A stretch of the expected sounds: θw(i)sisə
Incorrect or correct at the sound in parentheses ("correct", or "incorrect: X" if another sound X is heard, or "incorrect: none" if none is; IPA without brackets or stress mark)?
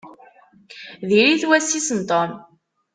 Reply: incorrect: æ